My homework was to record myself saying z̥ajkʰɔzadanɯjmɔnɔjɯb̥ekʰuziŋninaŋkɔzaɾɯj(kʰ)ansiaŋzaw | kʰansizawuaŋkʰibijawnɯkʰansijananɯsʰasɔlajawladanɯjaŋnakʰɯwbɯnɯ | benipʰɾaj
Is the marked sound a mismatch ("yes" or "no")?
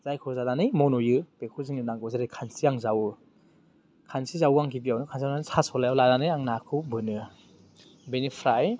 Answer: no